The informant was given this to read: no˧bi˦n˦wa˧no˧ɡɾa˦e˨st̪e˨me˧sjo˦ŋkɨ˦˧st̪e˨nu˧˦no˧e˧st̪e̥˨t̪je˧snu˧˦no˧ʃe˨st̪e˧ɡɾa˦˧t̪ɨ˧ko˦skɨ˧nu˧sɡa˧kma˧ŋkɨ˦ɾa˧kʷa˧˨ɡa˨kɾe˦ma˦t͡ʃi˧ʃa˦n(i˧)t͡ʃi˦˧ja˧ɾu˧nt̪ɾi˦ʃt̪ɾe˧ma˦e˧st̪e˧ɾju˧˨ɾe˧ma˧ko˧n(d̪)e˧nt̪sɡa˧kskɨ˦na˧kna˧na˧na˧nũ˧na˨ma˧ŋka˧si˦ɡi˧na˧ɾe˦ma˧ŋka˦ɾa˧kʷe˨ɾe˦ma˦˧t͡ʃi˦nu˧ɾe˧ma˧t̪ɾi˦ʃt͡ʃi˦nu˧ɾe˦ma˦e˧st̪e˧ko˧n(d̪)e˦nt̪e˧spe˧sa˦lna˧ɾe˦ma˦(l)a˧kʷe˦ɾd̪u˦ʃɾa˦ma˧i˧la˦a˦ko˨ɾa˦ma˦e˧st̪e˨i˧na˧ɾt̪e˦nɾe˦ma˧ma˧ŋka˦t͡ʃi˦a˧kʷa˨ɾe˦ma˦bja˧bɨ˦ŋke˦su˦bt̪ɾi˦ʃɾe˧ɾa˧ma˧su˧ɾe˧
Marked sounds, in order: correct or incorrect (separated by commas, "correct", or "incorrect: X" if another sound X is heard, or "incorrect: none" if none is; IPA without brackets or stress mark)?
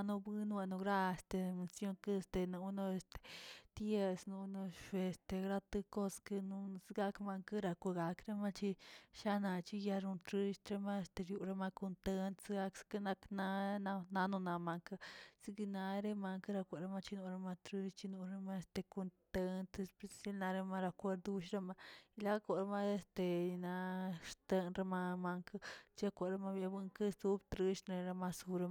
incorrect: a˧, incorrect: t̪, incorrect: t̪, incorrect: ɾ